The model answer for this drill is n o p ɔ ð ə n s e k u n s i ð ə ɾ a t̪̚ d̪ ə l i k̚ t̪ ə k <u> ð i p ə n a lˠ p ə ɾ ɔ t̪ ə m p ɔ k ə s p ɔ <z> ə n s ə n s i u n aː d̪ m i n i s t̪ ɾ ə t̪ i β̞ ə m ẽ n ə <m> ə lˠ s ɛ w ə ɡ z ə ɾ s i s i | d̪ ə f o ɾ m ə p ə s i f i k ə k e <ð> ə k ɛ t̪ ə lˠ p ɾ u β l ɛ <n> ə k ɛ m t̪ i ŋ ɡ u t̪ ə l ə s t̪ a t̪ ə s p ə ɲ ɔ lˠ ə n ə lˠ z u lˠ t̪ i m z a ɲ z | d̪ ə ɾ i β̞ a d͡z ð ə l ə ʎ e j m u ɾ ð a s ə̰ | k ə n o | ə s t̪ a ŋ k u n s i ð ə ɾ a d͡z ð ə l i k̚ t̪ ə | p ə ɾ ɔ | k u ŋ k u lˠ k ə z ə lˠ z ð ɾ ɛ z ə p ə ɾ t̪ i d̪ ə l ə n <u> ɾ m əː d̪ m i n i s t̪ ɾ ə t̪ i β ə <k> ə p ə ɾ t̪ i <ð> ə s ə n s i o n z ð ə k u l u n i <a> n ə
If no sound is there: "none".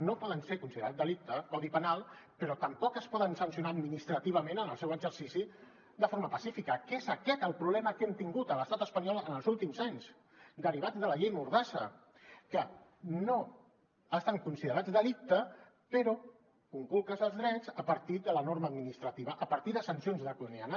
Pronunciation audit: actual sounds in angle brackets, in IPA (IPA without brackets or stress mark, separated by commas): ɔ, ð, n, z, m, o, ʔ, ð, a